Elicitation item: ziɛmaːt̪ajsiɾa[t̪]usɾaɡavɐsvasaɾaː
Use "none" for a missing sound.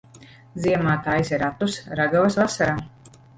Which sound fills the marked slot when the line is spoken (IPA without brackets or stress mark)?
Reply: t̪